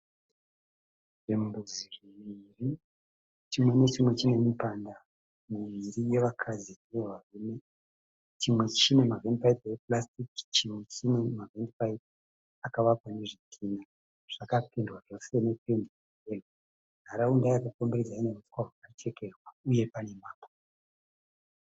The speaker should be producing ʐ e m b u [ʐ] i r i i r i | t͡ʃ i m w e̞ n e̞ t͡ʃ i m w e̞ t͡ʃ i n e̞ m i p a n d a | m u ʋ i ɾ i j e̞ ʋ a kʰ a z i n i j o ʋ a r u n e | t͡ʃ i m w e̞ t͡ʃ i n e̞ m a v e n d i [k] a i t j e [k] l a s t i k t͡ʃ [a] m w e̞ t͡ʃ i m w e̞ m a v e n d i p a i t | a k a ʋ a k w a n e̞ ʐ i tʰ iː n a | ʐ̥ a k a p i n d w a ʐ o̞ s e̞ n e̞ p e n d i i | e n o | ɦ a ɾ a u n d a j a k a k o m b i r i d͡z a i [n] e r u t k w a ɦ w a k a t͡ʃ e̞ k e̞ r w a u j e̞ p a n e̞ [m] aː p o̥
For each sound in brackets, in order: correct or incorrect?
incorrect: z, incorrect: p, incorrect: p, incorrect: i, correct, correct

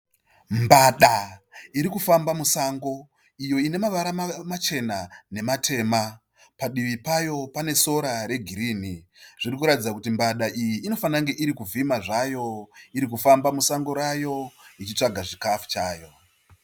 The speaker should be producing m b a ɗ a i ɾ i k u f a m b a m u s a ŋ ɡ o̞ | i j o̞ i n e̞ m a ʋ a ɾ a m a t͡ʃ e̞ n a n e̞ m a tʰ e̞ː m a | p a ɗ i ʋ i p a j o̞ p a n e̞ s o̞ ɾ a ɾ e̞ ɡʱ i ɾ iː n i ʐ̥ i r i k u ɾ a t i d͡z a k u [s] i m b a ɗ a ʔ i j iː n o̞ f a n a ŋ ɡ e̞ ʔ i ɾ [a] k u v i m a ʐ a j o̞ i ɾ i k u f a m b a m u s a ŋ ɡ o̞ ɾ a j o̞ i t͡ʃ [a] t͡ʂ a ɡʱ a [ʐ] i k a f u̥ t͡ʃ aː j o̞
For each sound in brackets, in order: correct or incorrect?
incorrect: t, incorrect: i, incorrect: i, correct

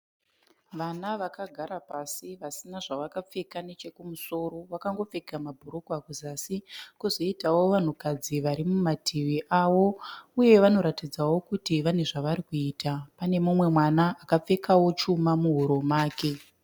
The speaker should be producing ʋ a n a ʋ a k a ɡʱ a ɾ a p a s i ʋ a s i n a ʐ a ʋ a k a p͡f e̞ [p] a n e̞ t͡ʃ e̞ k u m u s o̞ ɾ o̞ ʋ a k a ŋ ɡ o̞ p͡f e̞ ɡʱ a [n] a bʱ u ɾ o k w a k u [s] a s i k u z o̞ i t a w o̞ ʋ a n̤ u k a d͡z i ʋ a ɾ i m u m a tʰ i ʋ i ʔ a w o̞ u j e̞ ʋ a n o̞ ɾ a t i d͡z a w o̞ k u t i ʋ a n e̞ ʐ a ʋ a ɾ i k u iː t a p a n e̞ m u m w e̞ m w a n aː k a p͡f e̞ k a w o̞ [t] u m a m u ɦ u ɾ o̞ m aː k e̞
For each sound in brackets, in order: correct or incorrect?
incorrect: k, incorrect: m, incorrect: z, incorrect: t͡ʃ

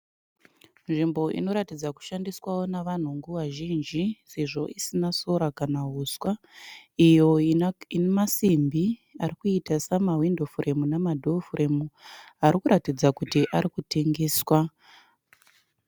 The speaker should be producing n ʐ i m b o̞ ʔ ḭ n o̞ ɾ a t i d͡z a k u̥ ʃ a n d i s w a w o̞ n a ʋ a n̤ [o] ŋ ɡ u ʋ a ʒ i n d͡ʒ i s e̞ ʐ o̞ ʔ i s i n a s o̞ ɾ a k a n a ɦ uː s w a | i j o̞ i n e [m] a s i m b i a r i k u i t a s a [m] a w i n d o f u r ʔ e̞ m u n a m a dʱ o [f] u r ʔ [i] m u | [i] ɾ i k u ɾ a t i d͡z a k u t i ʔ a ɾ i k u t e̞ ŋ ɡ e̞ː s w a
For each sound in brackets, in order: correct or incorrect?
incorrect: u, correct, correct, correct, incorrect: e, incorrect: a

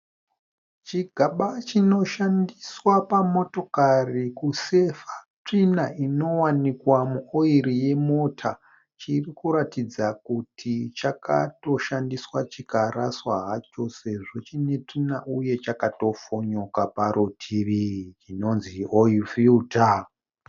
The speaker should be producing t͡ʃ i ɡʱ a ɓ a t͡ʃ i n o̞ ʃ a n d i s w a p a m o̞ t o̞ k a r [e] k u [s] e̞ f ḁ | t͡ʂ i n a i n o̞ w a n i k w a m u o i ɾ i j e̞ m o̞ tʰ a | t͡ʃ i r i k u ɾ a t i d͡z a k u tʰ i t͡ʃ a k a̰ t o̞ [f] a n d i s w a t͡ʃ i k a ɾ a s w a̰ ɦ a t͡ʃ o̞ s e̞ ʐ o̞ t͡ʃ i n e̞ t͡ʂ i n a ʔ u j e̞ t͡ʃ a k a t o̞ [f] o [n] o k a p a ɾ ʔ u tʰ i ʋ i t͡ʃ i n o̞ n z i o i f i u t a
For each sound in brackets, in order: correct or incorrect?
incorrect: i, correct, incorrect: ʃ, correct, incorrect: ɲ

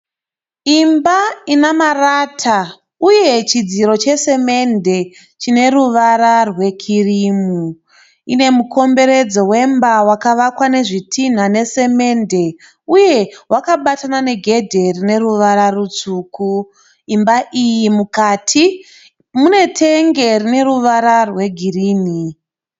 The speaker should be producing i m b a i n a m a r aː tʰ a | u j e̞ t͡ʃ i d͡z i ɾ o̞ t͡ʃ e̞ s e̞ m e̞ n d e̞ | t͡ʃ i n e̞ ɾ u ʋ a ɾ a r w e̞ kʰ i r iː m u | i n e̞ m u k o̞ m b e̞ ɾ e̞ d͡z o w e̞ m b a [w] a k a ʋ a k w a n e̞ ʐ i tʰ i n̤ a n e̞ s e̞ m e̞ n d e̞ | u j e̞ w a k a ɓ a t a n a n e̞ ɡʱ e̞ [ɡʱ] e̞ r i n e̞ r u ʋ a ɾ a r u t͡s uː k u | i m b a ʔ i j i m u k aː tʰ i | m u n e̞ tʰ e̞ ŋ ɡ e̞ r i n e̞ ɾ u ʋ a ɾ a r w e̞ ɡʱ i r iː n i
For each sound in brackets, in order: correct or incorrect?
correct, incorrect: dʱ

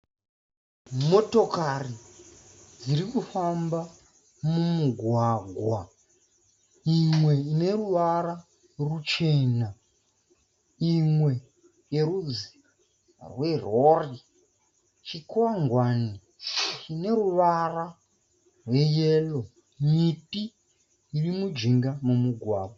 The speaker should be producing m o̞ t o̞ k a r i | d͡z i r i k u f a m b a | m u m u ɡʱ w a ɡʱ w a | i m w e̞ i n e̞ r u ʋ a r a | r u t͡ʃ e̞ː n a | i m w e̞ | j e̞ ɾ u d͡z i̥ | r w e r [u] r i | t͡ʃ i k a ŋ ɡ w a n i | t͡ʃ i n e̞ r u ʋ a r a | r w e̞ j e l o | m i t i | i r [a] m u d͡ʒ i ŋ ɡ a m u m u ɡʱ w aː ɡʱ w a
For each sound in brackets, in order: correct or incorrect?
incorrect: o, incorrect: i

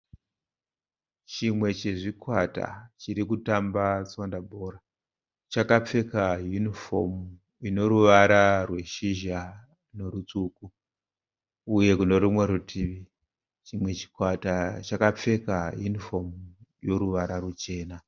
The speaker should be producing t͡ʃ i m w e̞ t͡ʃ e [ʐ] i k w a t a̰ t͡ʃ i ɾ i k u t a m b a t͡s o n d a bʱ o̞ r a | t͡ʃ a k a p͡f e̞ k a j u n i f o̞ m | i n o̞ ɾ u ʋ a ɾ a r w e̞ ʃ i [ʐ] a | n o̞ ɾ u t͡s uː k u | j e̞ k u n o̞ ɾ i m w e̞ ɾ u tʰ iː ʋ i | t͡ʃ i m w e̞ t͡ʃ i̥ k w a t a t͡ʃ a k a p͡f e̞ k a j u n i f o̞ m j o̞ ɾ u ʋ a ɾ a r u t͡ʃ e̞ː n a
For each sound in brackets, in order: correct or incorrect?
correct, incorrect: ʒ

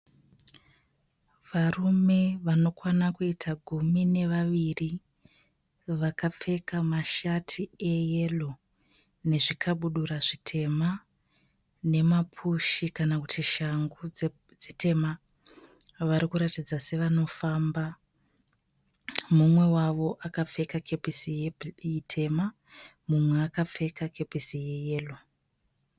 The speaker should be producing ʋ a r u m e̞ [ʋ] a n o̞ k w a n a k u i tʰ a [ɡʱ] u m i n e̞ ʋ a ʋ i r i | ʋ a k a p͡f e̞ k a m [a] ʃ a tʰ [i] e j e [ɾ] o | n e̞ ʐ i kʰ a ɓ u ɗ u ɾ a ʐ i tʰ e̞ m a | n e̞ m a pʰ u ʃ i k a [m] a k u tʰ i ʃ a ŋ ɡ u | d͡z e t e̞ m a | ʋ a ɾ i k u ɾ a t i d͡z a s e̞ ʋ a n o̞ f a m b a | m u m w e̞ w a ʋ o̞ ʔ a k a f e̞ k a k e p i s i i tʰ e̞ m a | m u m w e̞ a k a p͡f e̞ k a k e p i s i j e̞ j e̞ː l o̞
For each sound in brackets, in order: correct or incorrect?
correct, correct, correct, correct, incorrect: l, incorrect: n

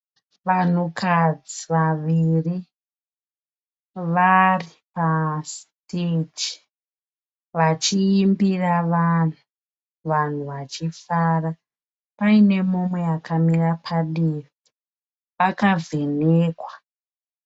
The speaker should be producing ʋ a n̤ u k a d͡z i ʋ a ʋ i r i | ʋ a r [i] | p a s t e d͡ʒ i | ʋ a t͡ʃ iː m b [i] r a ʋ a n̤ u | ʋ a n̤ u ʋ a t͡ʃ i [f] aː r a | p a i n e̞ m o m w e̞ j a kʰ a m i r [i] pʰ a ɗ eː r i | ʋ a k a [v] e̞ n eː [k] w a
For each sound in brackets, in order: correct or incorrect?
correct, correct, correct, incorrect: a, correct, correct

